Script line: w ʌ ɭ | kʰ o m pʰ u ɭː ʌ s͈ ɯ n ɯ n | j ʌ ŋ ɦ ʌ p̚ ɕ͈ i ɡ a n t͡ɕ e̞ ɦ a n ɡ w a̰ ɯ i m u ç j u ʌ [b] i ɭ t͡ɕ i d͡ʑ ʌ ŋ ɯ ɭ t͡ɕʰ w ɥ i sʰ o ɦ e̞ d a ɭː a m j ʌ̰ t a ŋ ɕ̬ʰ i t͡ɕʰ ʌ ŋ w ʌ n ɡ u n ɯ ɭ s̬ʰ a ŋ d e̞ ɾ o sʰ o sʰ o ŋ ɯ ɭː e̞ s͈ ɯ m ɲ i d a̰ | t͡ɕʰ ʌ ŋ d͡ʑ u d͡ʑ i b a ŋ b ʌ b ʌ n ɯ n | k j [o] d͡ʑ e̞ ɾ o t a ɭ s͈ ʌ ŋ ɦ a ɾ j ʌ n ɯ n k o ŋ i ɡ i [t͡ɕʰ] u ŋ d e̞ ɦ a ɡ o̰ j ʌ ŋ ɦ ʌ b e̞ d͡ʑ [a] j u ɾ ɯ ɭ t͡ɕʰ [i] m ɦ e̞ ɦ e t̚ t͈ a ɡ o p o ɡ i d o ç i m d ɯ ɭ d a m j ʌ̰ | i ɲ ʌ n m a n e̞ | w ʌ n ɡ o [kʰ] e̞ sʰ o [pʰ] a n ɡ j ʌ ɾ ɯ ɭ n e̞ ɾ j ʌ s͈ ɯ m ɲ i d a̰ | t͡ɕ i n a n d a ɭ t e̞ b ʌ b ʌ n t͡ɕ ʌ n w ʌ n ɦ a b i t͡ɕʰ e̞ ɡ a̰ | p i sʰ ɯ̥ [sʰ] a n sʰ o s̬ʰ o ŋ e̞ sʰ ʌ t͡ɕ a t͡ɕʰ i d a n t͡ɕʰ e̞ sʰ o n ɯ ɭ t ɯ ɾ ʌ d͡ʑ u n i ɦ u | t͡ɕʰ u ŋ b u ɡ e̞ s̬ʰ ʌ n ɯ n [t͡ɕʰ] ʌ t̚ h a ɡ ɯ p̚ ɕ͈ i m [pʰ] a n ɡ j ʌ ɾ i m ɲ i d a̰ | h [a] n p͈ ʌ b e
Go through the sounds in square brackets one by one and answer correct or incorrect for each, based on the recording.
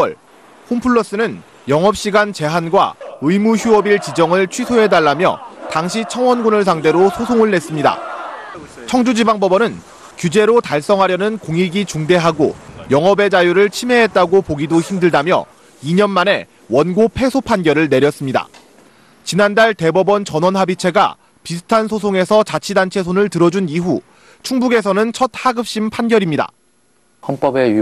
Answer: correct, incorrect: u, incorrect: t͡ɕ, correct, correct, incorrect: pʰ, correct, incorrect: tʰ, correct, correct, incorrect: ʌ

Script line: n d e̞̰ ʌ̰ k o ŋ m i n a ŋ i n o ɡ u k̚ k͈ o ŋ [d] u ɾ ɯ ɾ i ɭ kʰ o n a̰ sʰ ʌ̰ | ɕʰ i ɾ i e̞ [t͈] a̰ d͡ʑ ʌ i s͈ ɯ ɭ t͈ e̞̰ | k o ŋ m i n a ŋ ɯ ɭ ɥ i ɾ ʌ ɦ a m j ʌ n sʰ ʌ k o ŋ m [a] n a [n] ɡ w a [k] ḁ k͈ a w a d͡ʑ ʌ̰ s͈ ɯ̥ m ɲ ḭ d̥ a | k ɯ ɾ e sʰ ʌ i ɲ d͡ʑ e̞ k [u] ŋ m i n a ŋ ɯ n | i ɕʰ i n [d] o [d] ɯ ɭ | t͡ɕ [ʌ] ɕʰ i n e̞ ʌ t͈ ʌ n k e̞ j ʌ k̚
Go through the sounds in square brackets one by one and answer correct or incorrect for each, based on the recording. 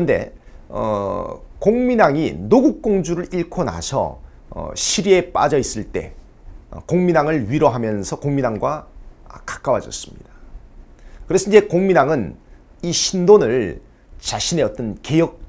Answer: incorrect: d͡ʑ, incorrect: p͈, incorrect: i, incorrect: ŋ, correct, incorrect: o, correct, incorrect: n, incorrect: a

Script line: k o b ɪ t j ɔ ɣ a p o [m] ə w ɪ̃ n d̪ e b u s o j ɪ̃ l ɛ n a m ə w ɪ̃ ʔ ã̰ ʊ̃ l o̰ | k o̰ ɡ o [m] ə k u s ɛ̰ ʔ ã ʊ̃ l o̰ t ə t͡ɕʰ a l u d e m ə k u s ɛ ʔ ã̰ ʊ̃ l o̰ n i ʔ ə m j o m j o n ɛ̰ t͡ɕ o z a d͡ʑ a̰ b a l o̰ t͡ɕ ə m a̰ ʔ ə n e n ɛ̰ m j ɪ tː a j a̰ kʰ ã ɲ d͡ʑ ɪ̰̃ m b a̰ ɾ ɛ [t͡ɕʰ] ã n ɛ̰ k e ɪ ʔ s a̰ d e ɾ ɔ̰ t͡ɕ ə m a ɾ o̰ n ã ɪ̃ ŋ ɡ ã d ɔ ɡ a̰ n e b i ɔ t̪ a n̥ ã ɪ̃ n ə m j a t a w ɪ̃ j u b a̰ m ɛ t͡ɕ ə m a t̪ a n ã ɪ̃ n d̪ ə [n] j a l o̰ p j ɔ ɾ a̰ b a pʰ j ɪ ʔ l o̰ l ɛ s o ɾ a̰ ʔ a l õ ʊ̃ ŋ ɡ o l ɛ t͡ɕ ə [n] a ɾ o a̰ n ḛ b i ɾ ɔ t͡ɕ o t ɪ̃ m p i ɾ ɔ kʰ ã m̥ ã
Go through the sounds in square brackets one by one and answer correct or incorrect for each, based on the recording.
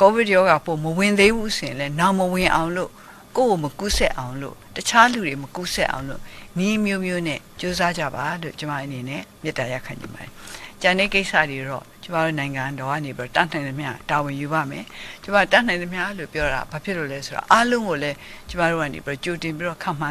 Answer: correct, correct, incorrect: t͡ɕ, incorrect: m, incorrect: m

